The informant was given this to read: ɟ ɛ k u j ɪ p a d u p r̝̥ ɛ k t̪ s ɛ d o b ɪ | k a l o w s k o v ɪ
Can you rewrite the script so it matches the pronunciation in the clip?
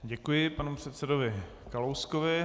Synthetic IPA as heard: ɟ ɛ k u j ɪ p a n u p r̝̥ ɛ t̪ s ɛ d o v ɪ | k a l o w s k o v ɪ